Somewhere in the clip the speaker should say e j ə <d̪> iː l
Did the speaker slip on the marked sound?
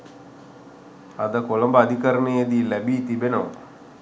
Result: no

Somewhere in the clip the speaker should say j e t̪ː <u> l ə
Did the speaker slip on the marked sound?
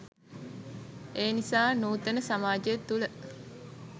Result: no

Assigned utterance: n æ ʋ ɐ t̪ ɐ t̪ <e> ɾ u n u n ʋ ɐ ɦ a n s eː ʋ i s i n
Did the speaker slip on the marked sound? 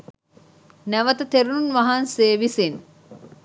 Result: no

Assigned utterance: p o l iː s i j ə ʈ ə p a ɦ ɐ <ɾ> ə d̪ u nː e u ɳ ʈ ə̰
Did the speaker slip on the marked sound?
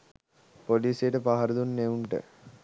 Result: no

